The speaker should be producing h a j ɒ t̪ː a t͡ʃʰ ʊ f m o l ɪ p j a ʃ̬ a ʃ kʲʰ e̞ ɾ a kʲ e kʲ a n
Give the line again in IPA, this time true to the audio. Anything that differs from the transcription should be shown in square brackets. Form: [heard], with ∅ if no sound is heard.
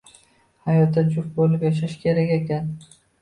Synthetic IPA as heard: h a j ɒ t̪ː a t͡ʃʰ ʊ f [b] o l ɪ p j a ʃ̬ a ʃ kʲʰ e̞ ɾ a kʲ e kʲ a n

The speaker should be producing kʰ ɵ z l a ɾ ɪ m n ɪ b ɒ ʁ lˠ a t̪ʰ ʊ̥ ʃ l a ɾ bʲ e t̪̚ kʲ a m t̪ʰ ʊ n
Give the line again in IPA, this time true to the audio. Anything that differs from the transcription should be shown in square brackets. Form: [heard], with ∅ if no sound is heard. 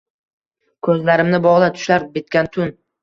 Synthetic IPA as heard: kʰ ɵ z l a ɾ ɪ m n ɪ b ɒ ʁ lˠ a t̪ʰ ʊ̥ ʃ l a ɾ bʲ e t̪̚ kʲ a [n] t̪ʰ ʊ n

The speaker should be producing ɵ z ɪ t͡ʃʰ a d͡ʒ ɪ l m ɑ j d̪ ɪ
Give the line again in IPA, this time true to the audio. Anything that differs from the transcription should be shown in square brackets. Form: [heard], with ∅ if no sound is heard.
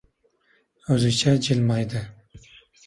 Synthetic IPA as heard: ɵ z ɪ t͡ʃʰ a d͡ʒ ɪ l m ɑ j d̪ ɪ

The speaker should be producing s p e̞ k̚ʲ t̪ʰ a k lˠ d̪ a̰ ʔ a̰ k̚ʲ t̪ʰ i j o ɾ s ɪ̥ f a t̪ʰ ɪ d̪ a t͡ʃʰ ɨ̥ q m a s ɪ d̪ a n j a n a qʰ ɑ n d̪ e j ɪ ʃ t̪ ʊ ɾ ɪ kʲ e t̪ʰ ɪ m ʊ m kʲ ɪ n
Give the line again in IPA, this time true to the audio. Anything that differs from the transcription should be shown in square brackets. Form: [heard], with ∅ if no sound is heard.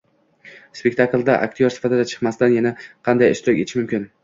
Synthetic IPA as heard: s p e̞ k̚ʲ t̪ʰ a k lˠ d̪ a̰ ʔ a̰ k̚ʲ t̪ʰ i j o ɾ s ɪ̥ f a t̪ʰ ɪ d̪ a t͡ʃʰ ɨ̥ q m a s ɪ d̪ a n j a n a qʰ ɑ n d̪ [a] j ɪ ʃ t̪ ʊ ɾ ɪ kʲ e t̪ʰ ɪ m ʊ m kʲ ɪ n

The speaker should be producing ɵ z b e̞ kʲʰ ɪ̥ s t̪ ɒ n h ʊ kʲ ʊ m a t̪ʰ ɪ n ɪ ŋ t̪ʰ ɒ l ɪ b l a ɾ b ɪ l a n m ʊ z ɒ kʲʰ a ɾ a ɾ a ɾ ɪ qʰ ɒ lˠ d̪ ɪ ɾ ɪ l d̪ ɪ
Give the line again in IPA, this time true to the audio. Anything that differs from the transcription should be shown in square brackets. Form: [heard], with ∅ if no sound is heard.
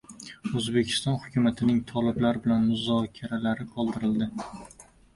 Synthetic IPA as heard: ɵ z b e̞ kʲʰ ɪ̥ s t̪ ɒ n h ʊ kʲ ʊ m a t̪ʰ ɪ n ɪ ŋ t̪ʰ ɒ l ɪ b l a ɾ b ɪ l a n m ʊ z ɒ kʲʰ a ɾ a [l] a ɾ ɪ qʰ ɒ lˠ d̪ ɪ ɾ ɪ l d̪ ɪ

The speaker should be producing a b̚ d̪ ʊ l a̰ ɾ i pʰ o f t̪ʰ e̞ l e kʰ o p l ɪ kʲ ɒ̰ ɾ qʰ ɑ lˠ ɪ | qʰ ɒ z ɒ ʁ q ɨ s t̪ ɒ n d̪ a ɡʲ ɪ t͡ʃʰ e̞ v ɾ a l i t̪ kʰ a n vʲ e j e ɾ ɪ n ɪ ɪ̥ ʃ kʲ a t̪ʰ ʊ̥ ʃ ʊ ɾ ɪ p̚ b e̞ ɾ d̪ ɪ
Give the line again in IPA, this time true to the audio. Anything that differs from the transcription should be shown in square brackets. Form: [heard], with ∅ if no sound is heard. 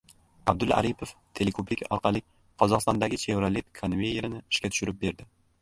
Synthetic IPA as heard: a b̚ d̪ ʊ l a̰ ɾ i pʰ o f t̪ʰ e̞ l e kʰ o p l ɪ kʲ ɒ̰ ɾ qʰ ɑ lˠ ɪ | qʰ ɒ z ɒ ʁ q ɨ s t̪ ɒ n d̪ a ɡʲ ɪ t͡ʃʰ e̞ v ɾ a l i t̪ kʰ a n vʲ e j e ɾ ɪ n ɪ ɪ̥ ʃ kʲ a t̪ʰ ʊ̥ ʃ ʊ ɾ ɪ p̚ b e̞ ɾ d̪ ɪ

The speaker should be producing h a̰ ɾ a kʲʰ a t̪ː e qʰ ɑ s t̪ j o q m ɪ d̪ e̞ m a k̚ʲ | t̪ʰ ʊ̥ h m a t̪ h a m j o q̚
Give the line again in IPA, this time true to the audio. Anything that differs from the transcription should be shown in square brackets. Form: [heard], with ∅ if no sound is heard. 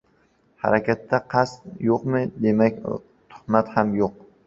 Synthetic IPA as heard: h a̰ ɾ a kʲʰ a t̪ː [a] qʰ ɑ s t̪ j o q m ɪ d̪ e̞ m a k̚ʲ | t̪ʰ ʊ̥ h m a t̪ h a m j o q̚

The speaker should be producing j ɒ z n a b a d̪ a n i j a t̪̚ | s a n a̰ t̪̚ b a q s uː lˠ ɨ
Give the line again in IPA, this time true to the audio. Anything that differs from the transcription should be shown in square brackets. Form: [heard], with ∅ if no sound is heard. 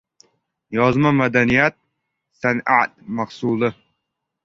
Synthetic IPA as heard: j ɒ z [m] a [m] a d̪ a n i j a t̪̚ | s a n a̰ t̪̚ [m] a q s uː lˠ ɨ

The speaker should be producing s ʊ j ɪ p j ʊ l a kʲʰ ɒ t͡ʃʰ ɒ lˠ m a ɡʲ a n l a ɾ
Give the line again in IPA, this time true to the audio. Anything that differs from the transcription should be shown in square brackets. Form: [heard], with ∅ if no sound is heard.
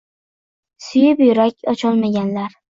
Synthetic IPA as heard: s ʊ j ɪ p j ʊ [ɾ] a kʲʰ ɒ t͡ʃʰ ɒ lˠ m a ɡʲ a n l a ɾ

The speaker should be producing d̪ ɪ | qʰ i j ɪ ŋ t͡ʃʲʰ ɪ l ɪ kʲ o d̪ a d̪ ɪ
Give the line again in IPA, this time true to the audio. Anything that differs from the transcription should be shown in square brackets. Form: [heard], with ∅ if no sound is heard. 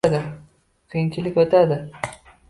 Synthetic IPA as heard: d̪ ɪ | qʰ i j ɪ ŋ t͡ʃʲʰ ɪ l ɪ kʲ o [t̪] a d̪ ɪ

